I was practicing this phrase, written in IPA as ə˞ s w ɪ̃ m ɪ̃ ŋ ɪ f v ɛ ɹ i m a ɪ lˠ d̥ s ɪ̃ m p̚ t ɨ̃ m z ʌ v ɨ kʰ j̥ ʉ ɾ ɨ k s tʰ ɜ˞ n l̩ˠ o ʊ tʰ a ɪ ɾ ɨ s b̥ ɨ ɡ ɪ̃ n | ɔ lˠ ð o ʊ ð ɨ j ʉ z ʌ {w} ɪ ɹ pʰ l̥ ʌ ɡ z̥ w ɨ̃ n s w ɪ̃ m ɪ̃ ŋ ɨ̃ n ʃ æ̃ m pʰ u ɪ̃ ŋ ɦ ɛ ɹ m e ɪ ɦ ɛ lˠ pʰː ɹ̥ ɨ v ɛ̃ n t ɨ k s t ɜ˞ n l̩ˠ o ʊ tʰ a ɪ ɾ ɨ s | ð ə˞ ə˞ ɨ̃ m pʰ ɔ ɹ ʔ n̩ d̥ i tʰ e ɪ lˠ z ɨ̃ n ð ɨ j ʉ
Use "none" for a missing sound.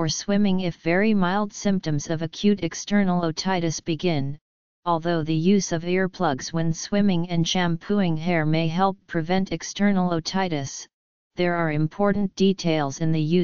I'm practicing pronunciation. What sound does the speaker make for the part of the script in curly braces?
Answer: v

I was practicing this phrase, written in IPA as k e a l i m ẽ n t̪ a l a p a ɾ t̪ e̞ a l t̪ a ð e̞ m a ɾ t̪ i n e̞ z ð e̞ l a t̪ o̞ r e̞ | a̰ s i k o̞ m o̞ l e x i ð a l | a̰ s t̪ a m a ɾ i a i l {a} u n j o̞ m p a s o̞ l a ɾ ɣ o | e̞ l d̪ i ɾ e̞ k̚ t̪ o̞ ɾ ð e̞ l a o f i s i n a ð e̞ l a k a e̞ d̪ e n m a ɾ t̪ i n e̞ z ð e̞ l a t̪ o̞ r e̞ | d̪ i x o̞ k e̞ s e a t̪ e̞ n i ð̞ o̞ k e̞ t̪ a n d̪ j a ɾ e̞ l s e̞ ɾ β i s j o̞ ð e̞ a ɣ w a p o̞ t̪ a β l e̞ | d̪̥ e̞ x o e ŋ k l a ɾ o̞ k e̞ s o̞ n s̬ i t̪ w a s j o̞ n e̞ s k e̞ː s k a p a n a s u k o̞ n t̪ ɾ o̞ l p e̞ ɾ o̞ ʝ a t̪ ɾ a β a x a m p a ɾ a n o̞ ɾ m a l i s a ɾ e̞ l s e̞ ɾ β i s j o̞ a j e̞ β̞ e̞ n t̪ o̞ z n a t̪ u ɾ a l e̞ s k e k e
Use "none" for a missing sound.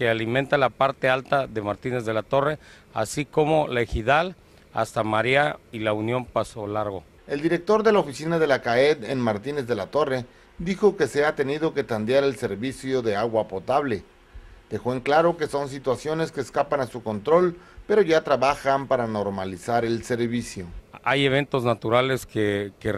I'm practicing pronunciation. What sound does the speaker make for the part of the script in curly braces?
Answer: a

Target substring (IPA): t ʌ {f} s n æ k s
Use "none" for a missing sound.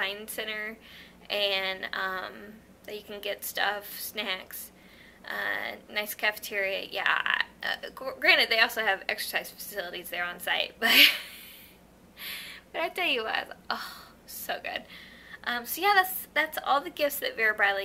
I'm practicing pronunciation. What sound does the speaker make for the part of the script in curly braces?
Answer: f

